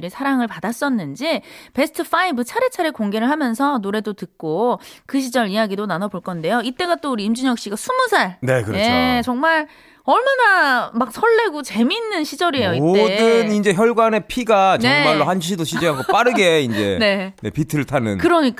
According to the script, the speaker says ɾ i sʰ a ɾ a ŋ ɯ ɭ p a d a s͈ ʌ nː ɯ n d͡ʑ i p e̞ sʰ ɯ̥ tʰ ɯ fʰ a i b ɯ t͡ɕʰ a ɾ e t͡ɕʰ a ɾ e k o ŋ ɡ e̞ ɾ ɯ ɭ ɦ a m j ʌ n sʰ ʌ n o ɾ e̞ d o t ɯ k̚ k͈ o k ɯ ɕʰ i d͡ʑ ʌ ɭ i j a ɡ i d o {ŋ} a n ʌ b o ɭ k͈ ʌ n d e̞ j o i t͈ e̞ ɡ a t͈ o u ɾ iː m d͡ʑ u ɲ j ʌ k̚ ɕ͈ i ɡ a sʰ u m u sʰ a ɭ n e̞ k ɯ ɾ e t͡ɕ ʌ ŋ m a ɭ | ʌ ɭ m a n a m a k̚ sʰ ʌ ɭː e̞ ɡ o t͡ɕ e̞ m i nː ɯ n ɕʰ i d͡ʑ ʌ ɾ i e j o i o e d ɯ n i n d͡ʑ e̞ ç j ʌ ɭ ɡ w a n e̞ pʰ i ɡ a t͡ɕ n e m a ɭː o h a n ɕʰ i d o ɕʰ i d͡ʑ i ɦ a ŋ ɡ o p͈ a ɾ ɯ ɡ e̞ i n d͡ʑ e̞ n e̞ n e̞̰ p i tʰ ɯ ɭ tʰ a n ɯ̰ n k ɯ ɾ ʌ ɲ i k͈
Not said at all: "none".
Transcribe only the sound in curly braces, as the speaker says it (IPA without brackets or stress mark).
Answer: n